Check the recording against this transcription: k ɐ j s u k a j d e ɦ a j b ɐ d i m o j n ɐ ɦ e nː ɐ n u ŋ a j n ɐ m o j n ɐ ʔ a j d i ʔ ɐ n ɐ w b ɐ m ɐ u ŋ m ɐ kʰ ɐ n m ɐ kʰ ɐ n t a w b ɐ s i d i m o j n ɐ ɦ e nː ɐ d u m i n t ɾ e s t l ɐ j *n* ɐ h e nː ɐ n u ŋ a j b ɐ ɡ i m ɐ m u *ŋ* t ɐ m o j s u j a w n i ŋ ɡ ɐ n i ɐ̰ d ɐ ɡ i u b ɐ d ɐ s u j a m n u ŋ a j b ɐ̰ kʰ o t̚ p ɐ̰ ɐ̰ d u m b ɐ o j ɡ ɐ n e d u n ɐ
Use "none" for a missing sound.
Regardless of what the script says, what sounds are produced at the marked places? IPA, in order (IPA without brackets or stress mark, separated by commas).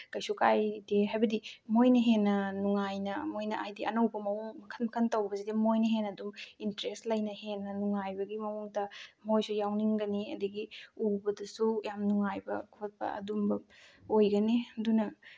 n, ŋ